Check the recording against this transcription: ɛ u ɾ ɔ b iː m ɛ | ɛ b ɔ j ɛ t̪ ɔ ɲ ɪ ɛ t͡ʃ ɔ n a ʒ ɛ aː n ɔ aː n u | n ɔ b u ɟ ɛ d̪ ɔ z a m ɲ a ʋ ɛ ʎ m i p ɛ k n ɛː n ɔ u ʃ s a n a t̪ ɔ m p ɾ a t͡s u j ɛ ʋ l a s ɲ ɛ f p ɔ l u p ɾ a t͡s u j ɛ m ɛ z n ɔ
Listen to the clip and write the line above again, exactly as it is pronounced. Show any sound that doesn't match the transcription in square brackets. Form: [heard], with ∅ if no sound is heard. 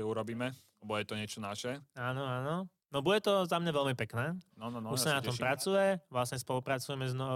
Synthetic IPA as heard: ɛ u ɾ ɔ b iː m ɛ | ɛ b ɔ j ɛ t̪ ɔ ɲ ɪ ɛ t͡ʃ ɔ n a [ʃ] ɛ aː n ɔ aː n [ɔ] | n ɔ b u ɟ ɛ [t̪] ɔ z a m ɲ a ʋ ɛ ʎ m i p ɛ k n ɛː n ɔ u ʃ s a n a t̪ ɔ m p ɾ a t͡s u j ɛ ʋ l a s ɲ ɛ [s] p ɔ l u p ɾ a t͡s u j ɛ m ɛ z n ɔ